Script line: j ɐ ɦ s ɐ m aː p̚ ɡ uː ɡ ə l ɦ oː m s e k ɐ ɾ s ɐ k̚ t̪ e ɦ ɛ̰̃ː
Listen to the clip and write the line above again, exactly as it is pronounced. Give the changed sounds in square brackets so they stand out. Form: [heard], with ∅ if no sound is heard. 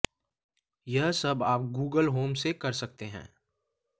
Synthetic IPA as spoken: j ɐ ɦ s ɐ [b] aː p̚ ɡ uː ɡ ə l ɦ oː m s e k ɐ ɾ s ɐ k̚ t̪ e ɦ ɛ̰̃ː